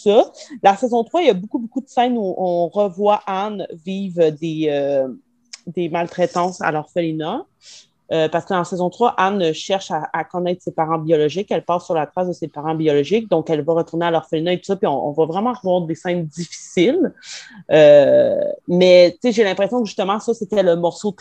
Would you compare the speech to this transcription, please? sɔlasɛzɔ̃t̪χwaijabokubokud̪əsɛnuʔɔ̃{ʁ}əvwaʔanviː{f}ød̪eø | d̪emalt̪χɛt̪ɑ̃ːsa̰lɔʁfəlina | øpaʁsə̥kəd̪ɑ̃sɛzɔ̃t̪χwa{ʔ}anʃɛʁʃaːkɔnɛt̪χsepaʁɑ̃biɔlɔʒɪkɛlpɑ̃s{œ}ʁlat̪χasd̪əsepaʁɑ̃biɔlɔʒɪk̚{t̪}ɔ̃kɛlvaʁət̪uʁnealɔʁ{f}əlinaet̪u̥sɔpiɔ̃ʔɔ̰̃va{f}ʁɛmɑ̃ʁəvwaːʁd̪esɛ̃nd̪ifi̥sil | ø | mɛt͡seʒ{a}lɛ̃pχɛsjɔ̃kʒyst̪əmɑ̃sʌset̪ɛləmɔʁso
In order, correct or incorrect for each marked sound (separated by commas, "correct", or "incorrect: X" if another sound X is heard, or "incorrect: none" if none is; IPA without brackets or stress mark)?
correct, incorrect: v, correct, incorrect: y, incorrect: d̪, correct, incorrect: v, incorrect: e